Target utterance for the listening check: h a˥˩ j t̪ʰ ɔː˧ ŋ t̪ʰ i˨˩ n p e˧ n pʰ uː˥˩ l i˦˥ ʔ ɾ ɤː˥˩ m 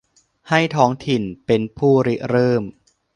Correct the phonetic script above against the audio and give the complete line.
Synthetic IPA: h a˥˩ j t̪ʰ ɔː˦˥ ŋ t̪ʰ i˨˩ n p e˧ n pʰ uː˥˩ ɾ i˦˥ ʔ ɾ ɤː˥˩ m